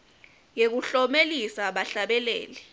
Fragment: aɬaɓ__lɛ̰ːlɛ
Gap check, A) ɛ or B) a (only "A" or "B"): A